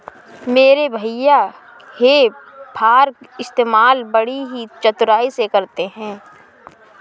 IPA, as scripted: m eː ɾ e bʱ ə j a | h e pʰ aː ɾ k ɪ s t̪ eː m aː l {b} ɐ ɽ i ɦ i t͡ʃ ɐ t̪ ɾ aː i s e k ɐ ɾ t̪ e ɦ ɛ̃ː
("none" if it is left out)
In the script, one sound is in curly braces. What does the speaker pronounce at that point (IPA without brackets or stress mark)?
b